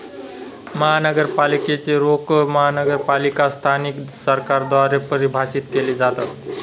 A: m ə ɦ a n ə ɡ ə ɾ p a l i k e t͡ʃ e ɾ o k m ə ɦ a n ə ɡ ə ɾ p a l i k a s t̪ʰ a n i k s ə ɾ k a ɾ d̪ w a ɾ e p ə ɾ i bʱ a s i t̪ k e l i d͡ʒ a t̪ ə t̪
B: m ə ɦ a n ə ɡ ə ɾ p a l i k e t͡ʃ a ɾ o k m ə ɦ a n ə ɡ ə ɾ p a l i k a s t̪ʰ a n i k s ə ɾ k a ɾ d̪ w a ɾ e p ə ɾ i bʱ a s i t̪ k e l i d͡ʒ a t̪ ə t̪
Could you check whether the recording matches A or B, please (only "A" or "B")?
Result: A